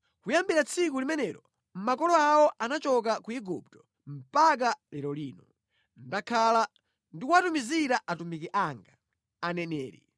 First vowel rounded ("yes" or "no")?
yes